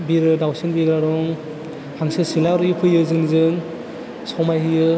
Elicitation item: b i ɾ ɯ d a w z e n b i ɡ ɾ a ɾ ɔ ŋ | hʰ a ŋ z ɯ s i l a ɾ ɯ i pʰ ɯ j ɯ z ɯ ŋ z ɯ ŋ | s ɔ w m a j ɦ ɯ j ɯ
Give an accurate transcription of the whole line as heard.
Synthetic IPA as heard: b i ɾ ɯ d a w s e n b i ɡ ɾ a ɾ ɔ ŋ | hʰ a ŋ s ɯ s i l a ɾ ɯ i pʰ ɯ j ɯ z ɯ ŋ z ɯ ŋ | s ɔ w m a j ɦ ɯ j ɯ